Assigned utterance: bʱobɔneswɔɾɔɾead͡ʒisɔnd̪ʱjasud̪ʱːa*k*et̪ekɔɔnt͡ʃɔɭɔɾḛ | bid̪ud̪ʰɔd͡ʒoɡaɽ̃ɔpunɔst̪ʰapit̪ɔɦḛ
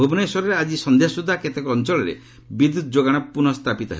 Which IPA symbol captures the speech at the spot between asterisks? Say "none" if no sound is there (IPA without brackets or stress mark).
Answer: k